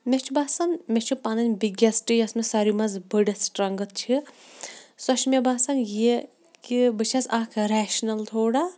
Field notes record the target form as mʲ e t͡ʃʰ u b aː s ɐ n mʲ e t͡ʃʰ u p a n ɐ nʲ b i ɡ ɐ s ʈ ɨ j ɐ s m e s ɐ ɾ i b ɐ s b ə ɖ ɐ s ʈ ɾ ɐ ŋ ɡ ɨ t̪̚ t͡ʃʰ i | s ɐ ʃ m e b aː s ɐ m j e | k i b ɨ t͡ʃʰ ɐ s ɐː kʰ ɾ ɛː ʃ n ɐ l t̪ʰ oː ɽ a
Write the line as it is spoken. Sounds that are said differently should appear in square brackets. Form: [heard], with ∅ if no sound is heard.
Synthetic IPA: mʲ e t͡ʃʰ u b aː s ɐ n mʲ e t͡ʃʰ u p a n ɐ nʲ b i ɡ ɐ s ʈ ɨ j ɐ s m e s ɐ ɾ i [m] ɐ [z] b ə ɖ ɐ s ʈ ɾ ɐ ŋ ɡ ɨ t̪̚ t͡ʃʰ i | s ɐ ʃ m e b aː s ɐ [n] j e | k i b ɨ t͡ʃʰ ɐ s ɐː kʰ ɾ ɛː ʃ n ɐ l t̪ʰ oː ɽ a